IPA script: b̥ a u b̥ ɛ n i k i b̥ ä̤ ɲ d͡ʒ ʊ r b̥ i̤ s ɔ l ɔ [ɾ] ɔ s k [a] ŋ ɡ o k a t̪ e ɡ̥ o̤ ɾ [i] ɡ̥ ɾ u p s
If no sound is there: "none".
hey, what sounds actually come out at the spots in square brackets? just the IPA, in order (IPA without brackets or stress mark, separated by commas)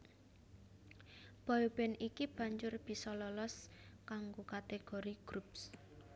l, a, i